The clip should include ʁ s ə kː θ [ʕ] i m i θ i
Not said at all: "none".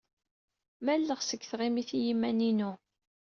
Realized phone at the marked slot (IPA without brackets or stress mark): ʁ